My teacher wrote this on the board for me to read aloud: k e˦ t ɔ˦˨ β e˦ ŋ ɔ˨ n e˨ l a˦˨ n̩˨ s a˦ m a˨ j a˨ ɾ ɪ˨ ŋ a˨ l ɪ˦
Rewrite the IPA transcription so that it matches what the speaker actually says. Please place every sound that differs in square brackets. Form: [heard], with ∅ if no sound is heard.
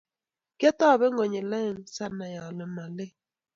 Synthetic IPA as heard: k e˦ t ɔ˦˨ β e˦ ŋ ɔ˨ [ɲ] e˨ l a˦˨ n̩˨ s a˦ [n] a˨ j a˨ [l] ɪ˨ [m] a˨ l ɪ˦